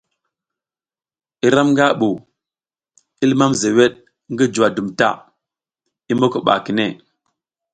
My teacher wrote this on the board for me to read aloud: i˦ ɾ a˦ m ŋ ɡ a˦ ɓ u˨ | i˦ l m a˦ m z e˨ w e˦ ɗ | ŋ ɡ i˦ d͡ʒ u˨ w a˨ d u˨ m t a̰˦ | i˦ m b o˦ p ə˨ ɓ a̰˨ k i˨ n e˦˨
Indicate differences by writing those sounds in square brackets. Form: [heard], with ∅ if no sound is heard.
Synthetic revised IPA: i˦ ɾ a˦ m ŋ ɡ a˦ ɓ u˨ | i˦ l m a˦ m z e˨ w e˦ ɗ | ŋ ɡ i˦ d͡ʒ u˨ w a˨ d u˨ m t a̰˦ | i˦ m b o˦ [k] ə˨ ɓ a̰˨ k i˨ n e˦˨

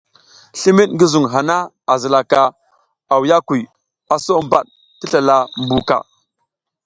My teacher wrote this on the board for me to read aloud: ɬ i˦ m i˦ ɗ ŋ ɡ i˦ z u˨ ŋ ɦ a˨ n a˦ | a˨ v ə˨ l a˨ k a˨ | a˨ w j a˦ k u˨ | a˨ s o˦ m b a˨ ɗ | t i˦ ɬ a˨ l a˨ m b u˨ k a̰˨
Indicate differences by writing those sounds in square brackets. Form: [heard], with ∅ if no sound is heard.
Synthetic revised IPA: ɬ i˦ m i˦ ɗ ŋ ɡ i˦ z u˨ ŋ ɦ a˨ n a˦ | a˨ [z] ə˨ l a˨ k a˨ | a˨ w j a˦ k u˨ | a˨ s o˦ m b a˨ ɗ | t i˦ ɬ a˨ l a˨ m b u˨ k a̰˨

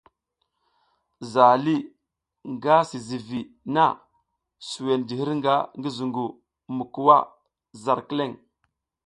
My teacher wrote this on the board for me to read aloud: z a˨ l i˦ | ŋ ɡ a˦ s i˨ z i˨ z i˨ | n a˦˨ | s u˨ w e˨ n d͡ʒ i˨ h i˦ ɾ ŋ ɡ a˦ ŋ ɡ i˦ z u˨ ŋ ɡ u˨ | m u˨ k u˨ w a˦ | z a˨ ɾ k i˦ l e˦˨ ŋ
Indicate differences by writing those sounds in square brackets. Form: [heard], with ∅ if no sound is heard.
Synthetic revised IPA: z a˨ l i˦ | ŋ ɡ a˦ s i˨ z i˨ [v] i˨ | n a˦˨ | s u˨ w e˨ n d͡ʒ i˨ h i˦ ɾ ŋ ɡ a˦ ŋ ɡ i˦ z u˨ ŋ ɡ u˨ | m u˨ k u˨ w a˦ | z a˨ ɾ k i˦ l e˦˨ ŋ

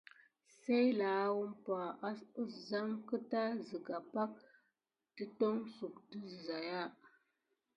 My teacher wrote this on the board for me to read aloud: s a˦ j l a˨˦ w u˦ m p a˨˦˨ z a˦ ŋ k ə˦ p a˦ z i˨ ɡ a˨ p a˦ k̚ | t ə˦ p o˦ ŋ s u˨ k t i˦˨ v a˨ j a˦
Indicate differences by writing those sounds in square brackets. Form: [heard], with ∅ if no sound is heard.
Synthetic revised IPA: s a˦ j l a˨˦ w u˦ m p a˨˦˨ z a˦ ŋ k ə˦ [t] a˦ z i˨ ɡ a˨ p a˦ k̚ | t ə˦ [t] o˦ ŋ s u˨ k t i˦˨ [z] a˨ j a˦

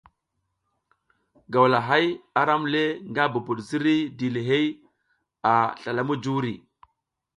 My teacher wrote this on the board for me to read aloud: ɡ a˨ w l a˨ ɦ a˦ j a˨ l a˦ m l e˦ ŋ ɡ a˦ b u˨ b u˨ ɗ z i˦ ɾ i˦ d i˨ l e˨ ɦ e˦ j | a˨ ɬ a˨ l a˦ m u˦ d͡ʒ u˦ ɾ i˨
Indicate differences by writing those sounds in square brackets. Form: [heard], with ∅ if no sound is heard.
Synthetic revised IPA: ɡ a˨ w l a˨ ɦ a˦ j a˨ [ɾ] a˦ m l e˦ ŋ ɡ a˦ b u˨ b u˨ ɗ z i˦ ɾ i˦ d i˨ l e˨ ɦ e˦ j | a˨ ɬ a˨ l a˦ m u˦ d͡ʒ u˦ ɾ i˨

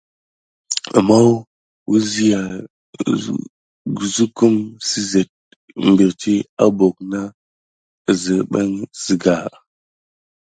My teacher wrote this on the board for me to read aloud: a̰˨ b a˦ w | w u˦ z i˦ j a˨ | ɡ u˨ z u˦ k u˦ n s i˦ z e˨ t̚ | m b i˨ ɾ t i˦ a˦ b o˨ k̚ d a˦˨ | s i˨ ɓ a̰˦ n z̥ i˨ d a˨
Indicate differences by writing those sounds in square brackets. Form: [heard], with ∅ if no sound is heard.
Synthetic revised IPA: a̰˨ [m] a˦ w | w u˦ z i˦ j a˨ | ɡ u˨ z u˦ k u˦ [m] s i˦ z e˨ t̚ | m b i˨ ɾ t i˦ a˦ b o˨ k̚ [n] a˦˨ | [z] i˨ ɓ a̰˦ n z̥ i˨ [ɡ] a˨

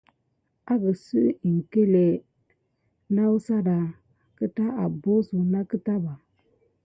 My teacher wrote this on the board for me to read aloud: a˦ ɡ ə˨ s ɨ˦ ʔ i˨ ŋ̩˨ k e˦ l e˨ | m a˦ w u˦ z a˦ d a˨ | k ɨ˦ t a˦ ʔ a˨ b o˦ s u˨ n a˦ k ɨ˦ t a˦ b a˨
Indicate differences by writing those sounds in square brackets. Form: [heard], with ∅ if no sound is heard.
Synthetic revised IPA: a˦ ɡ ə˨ s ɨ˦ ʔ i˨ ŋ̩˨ k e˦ l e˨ | [n] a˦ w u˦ [s] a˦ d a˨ | k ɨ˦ t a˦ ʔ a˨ b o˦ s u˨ n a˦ k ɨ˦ t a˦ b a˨

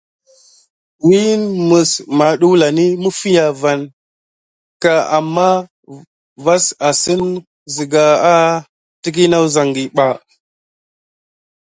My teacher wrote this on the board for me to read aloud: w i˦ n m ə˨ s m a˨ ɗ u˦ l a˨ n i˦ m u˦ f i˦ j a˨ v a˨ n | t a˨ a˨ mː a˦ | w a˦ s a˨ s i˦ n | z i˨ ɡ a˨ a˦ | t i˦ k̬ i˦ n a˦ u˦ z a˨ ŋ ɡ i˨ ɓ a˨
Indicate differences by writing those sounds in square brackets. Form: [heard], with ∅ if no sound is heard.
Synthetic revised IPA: w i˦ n m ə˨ s m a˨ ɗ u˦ l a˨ n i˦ m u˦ f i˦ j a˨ v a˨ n | [k] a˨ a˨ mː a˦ | [v] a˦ s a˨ s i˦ n | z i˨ ɡ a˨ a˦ | t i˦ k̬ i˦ n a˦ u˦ z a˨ ŋ ɡ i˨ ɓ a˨

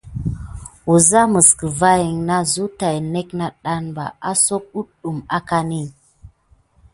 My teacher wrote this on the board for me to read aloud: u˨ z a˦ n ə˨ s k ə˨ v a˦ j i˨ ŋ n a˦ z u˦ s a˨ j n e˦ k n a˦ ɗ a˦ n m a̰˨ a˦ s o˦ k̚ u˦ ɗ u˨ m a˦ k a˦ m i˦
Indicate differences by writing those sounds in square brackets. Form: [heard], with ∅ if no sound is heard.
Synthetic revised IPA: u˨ z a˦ [m] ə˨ s k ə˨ v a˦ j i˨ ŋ n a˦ z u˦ [t] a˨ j n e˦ k n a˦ ɗ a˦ n [b] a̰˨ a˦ s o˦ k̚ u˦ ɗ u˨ m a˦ k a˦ [n] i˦

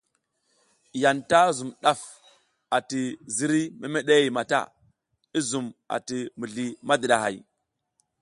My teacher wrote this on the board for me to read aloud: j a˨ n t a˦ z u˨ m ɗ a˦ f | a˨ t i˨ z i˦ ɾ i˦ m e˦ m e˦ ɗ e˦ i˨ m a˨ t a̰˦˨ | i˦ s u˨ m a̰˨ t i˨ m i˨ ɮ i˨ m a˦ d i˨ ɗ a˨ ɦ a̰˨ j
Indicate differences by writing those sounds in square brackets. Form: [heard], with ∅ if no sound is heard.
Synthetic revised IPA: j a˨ n t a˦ z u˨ m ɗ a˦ f | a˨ t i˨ z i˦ ɾ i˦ m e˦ m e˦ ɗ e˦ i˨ m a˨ t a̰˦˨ | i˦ [z] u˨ m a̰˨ t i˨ m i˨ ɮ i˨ m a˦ d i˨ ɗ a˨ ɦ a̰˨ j

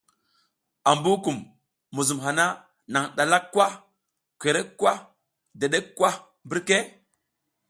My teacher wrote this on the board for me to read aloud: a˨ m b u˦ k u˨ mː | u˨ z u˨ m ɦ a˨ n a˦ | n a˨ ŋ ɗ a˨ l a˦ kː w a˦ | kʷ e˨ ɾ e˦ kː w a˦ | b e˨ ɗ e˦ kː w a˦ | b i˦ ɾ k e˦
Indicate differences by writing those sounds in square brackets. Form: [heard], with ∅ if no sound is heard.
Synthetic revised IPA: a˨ m b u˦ k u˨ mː | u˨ z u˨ m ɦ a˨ n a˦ | n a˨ ŋ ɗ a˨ l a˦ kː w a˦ | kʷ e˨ ɾ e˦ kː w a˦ | [d] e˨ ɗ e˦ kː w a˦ | b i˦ ɾ k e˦

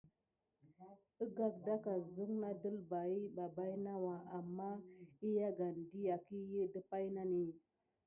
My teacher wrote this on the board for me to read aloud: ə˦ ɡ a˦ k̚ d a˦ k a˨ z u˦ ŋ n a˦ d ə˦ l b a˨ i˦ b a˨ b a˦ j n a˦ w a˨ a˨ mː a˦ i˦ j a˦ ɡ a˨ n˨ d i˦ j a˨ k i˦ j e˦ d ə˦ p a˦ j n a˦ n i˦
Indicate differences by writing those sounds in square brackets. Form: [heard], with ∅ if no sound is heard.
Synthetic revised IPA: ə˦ ɡ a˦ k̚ d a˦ k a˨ z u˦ ŋ n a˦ d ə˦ l b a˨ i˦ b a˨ b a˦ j n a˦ w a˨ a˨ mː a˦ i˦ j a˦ ɡ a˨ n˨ d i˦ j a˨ k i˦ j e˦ d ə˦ p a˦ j n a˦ n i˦

